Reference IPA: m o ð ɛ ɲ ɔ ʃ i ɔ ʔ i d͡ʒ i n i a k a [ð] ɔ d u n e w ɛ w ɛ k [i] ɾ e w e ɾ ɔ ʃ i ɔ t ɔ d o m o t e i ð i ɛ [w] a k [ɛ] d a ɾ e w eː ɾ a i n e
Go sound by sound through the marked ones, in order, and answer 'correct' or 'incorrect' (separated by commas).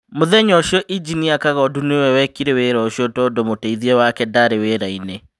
incorrect, correct, correct, correct